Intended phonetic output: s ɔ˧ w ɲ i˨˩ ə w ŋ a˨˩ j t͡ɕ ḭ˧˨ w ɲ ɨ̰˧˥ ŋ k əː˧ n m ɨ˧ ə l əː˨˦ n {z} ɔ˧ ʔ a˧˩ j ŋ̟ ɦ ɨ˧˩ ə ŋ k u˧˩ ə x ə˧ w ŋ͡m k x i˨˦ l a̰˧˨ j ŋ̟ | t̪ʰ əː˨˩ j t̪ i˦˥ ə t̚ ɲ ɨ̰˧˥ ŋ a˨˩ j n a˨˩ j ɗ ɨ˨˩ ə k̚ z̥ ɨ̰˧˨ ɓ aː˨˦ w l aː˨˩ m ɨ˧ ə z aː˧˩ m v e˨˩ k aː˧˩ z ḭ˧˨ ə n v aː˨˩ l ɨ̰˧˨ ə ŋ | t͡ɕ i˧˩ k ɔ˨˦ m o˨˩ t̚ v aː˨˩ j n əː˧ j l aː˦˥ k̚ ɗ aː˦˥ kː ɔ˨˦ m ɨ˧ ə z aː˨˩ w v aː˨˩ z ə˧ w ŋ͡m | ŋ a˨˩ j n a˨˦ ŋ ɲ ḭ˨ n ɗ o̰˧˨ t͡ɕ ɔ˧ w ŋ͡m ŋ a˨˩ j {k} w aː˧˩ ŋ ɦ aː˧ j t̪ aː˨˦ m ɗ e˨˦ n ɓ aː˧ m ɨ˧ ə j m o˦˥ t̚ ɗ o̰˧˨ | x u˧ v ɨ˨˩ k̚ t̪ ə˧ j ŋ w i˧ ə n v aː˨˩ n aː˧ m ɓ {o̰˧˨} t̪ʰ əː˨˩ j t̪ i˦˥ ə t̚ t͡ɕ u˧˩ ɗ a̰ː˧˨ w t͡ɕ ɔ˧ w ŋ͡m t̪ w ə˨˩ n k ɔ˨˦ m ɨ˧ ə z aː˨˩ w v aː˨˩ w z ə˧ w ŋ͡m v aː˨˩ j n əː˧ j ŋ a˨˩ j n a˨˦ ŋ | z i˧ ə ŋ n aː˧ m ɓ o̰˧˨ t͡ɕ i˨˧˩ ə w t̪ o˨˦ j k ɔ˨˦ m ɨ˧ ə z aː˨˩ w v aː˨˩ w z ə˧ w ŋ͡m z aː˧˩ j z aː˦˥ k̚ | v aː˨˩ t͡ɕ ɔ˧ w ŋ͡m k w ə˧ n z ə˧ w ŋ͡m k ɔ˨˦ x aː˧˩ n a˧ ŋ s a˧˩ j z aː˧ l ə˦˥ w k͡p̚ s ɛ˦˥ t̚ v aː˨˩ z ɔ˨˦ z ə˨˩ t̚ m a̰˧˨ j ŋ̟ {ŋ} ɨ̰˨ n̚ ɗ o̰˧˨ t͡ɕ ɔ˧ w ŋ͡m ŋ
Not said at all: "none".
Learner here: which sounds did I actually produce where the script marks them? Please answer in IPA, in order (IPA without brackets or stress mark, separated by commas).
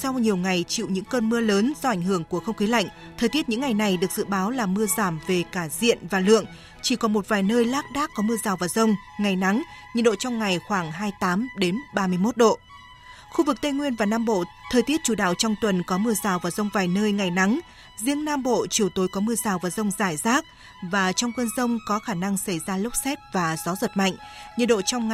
z, x, o̰˧˨, ɲ